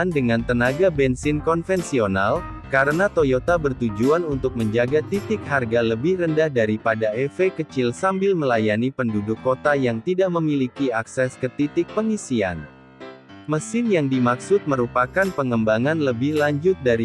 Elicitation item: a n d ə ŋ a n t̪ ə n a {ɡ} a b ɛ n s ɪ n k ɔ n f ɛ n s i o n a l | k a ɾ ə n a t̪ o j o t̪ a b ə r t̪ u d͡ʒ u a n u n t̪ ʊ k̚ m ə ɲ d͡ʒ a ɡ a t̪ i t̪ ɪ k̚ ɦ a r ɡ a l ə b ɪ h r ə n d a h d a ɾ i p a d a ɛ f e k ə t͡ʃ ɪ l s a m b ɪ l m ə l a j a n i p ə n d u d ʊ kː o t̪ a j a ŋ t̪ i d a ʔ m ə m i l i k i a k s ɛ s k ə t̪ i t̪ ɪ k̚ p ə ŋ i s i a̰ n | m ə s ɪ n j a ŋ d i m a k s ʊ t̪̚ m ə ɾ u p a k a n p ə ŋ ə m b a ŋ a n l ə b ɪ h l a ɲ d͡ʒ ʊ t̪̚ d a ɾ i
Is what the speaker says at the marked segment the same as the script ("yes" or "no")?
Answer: yes